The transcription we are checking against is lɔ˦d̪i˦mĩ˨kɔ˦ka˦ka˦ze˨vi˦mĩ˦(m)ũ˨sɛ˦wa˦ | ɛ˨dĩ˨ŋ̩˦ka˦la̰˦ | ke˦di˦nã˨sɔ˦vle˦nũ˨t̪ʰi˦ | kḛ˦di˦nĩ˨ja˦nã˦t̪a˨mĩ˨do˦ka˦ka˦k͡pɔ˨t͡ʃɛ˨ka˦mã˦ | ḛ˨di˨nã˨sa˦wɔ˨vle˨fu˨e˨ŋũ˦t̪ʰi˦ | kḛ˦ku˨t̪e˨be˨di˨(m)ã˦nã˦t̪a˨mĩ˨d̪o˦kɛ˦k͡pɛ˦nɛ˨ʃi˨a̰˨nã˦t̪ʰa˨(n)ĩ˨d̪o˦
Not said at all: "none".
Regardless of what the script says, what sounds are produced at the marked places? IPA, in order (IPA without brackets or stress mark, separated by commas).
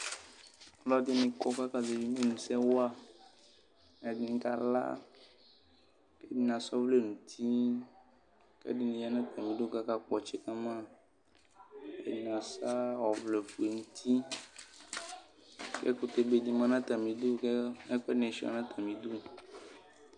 n, m, m